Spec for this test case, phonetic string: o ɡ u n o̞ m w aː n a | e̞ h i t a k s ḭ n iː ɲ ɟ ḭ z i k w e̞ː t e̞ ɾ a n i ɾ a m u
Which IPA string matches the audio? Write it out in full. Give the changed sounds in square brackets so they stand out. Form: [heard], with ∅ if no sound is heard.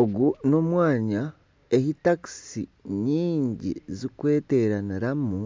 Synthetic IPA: o ɡ u n o̞ m w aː [ɲ] a | e̞ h i t a k s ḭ [ɲ] iː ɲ ɟ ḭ z i k w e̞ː t e̞ ɾ a n i ɾ a m u